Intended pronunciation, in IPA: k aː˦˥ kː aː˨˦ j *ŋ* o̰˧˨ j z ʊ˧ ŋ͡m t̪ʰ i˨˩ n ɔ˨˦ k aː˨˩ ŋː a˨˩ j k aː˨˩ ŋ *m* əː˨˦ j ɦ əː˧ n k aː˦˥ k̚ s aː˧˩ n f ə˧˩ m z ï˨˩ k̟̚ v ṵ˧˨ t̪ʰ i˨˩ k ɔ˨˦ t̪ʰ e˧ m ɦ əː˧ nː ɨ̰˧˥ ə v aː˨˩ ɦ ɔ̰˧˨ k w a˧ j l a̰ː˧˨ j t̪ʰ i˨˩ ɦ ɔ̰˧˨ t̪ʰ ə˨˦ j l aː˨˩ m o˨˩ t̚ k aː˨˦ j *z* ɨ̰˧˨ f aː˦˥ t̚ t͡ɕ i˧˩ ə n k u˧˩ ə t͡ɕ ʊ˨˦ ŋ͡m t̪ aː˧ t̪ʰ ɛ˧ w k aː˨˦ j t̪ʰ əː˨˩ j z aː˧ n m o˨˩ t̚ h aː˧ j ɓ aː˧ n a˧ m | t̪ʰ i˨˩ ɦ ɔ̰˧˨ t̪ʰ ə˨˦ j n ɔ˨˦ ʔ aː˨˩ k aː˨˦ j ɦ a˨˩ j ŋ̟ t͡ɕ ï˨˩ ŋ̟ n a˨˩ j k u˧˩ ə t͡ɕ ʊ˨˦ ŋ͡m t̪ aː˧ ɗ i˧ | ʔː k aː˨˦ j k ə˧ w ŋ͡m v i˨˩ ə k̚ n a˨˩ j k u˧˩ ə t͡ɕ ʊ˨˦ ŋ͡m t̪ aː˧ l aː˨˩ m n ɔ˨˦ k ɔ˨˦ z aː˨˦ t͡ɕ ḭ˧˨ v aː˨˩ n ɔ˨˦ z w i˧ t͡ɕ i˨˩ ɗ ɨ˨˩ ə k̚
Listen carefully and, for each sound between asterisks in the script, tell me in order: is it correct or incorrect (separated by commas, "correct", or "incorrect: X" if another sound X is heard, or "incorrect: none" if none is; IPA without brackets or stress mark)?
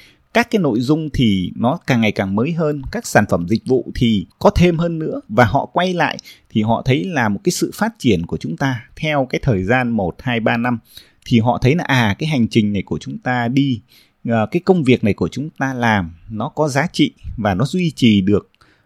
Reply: incorrect: n, correct, incorrect: s